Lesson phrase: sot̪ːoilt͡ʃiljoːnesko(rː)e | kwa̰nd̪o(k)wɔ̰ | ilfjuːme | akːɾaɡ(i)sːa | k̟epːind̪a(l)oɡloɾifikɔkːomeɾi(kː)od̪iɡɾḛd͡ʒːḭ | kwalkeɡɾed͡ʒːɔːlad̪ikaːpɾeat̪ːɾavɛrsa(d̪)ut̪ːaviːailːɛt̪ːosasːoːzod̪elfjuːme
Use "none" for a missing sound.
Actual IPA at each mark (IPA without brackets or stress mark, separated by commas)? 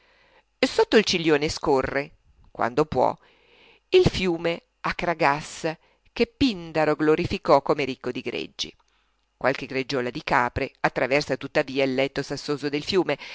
rː, p, a, ɾ, kː, t̪